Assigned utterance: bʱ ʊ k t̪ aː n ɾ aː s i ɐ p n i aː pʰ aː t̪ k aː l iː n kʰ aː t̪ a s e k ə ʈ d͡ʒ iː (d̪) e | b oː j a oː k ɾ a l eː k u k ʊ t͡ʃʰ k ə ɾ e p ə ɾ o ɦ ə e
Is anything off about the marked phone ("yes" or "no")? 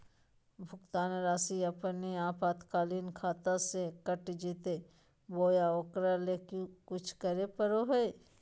yes